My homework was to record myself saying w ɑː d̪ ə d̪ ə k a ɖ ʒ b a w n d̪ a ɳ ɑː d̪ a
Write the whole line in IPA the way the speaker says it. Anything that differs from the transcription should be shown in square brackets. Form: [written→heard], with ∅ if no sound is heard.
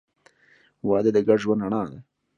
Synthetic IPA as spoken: w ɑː d̪ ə d̪ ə [k→ɡ] a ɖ ʒ [b→w] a [w→∅] n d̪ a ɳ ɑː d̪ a